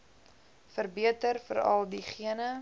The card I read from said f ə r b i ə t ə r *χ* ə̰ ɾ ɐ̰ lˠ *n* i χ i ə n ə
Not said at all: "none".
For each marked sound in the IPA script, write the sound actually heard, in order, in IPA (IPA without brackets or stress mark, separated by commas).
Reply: f, d